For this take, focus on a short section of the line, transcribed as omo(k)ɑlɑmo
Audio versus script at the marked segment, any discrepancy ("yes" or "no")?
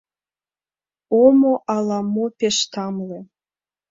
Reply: yes